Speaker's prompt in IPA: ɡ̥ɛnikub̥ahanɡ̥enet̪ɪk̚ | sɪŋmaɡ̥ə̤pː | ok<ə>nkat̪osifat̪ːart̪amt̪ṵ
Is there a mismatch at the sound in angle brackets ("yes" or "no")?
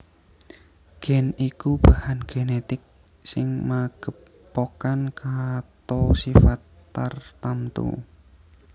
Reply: yes